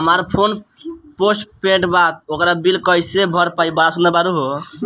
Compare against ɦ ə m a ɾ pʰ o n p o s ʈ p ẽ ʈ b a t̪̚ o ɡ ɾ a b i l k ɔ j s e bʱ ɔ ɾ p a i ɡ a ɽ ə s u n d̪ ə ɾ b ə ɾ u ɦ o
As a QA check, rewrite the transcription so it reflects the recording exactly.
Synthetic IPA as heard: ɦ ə m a ɾ pʰ o n p o s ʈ p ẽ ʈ b a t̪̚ o k ɾ a b i l k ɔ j s e bʱ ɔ ɾ p a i b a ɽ a s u n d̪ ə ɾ b a ɾ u ɦ o